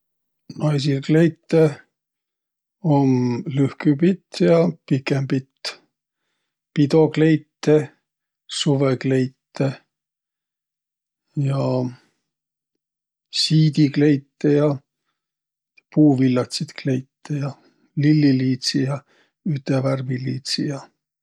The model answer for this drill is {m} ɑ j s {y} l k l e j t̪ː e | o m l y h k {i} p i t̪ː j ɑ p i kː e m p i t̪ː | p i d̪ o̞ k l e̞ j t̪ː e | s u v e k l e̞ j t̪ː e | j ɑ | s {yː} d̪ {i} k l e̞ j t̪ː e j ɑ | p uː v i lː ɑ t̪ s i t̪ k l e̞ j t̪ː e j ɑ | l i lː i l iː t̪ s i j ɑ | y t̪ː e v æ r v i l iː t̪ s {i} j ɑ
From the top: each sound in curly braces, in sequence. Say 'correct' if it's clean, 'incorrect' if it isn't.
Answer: incorrect: n, incorrect: i, incorrect: y, incorrect: iː, correct, correct

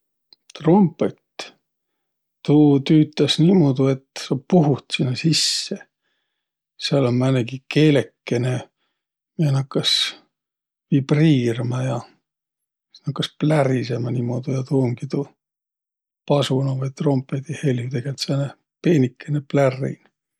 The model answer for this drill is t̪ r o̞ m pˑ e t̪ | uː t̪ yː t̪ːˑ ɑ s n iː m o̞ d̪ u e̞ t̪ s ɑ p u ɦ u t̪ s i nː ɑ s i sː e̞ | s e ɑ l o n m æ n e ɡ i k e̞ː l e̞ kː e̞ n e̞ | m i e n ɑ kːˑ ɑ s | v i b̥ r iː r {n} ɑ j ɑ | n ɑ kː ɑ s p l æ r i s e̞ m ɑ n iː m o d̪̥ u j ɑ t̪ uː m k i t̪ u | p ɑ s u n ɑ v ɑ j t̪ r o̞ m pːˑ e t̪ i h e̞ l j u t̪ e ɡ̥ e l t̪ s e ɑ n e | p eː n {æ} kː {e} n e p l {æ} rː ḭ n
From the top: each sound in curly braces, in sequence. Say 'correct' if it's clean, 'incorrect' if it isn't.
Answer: incorrect: m, incorrect: i, correct, correct

